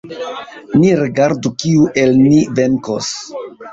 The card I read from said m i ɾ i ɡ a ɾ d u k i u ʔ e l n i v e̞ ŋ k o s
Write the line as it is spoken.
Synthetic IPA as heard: n i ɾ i ɡ a ɾ d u k i u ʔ e l n i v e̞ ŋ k o s